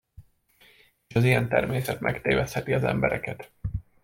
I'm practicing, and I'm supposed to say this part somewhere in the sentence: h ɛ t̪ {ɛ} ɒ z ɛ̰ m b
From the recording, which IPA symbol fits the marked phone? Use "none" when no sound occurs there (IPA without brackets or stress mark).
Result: i